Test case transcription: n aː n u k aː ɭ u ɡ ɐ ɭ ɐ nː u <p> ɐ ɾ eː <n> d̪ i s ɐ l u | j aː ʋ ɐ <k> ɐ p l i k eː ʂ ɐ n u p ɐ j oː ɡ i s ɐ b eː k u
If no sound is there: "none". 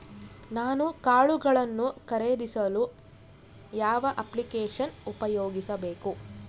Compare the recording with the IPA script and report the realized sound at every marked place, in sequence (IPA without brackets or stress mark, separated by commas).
k, none, ʔ